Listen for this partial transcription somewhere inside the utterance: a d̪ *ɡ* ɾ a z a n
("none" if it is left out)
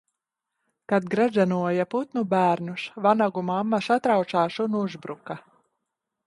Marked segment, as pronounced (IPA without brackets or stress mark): ɡ